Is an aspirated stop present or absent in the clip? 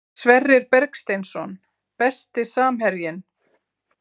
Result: absent